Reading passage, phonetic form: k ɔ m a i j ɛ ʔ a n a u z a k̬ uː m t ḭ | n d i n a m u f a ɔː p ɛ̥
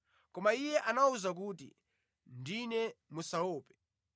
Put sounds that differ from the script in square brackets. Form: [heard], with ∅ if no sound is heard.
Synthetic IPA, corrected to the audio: k ɔ m a i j ɛ ʔ a n a u z a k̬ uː [∅] t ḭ | n d i n [ɛ] m u [s] a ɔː p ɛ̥

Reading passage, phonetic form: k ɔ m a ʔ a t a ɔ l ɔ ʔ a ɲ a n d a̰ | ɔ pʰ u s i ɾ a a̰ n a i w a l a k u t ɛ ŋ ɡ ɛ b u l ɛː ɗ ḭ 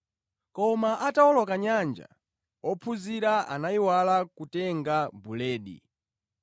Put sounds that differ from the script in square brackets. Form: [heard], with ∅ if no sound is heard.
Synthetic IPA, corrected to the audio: k ɔ m a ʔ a t a ɔ l ɔ [k] a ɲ a n [d͡ʒ] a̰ | ɔ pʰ u [z] i ɾ a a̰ n a i w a l a k u t ɛ ŋ ɡ [a] b u l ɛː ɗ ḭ

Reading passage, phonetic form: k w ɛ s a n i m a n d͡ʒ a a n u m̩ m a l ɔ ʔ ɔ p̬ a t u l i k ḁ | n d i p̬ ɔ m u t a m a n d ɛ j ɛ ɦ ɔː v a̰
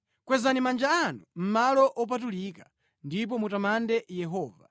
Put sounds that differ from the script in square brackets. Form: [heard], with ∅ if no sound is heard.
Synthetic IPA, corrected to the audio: k w ɛ [z] a n i m a n d͡ʒ a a n u m̩ m a l ɔ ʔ ɔ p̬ a t u l i k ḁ | n d i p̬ ɔ m u t a m a n d ɛ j ɛ ɦ ɔː v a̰

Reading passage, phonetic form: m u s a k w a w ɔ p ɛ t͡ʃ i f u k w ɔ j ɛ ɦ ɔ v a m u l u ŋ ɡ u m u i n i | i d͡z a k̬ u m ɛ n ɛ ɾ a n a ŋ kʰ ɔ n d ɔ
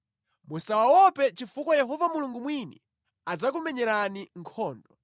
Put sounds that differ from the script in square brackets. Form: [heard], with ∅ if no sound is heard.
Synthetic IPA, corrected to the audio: m u s a [∅] w a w ɔ p ɛ t͡ʃ i f u k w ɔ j ɛ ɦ ɔ v a m u l u ŋ ɡ u m [w] i n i | [a] d͡z a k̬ u m ɛ [ɲ] ɛ ɾ a n [i] ŋ kʰ [ɔː] n d ɔ

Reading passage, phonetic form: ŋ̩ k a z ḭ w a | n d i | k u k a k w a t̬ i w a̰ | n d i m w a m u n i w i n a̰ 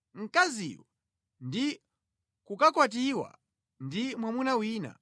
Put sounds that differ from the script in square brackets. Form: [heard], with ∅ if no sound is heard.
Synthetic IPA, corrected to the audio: ŋ̩ k a z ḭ w a | n d i | k u k a k w a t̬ i w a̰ | n d i m w a m u n [a] w [iː] n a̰

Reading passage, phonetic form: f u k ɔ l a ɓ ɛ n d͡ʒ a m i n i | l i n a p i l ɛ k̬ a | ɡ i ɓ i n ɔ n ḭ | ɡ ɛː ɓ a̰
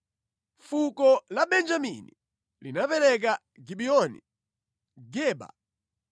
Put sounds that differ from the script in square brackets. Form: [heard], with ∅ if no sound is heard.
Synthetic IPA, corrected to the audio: f u k ɔ l a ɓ ɛ n d͡ʒ a m i n i | l i n a p [ɛ] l ɛ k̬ a | ɡ i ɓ i [∅] ɔ n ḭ | ɡ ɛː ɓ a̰

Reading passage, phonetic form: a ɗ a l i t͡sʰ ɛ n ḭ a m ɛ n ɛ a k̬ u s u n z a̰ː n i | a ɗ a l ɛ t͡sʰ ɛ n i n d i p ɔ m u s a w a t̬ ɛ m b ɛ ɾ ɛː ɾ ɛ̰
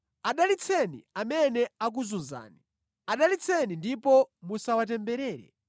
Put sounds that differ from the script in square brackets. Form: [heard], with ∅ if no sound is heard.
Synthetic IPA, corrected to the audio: a ɗ a l i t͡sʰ ɛ n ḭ a m ɛ n ɛ a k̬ u [z] u n z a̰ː n i | a ɗ a l [i] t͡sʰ ɛ n i n d i p ɔ m u s a w a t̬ ɛ m b ɛ ɾ ɛː ɾ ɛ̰

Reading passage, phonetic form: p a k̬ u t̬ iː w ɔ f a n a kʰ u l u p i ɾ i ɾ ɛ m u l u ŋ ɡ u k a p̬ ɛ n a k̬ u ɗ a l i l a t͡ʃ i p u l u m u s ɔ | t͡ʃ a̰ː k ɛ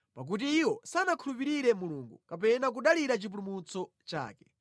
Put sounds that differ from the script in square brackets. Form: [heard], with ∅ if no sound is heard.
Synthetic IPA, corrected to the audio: p a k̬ u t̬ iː w ɔ [s] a n a kʰ u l u p i ɾ i ɾ ɛ m u l u ŋ ɡ u k a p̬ ɛ n a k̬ u ɗ a l i [ɾ] a t͡ʃ i p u l u m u [t͡s] ɔ | t͡ʃ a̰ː k ɛ

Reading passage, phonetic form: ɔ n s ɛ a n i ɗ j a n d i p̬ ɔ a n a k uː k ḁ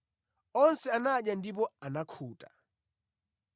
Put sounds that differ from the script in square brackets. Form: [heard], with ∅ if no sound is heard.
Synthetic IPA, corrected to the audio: ɔ n s ɛ a n [a] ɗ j a n d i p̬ ɔ a n a [kʰ] uː [t] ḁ

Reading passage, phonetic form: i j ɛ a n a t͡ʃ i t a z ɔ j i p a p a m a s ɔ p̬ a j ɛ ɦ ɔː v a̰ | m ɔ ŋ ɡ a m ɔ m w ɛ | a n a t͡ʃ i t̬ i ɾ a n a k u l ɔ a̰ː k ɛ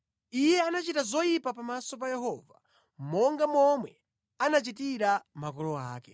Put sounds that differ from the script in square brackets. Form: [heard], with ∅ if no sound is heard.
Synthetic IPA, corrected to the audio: i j ɛ a n a t͡ʃ i t a z ɔ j i p a p a m a s ɔ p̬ a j ɛ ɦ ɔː v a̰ | m ɔ ŋ ɡ a m ɔ m w ɛ | a n a t͡ʃ i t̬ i ɾ a [m] a k [ɔ] l ɔ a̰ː k ɛ

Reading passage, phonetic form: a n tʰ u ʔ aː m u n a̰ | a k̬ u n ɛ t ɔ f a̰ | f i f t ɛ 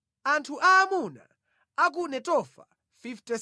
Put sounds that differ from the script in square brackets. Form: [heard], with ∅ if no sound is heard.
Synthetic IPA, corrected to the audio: a n tʰ u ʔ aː m u n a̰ | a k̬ u n ɛ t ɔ f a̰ | f i f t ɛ

